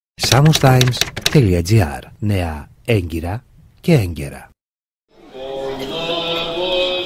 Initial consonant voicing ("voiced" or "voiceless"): voiceless